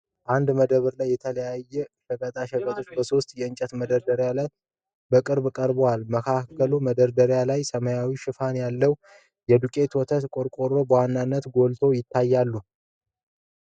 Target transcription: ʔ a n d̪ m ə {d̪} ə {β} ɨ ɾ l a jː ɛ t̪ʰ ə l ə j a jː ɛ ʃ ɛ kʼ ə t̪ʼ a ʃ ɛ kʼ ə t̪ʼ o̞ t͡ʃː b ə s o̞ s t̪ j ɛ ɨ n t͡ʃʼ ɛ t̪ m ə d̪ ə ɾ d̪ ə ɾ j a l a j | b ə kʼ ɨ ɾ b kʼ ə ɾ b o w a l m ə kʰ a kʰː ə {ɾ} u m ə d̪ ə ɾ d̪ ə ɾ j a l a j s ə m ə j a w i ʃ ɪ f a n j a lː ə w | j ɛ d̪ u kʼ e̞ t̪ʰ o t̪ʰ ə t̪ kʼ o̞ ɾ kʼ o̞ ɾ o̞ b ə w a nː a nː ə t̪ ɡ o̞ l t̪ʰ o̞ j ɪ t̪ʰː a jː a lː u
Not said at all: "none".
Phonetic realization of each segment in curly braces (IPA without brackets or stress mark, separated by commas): d̪, β, l